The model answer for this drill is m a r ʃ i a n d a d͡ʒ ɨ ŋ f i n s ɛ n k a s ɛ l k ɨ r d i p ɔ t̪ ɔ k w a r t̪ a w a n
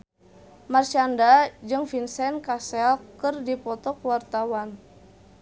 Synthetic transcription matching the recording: m a r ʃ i a n d a d͡ʒ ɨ ŋ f i n s ɛ n k a s ɛ l k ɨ r d i p ɔ t̪ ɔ k w a r t̪ a w a n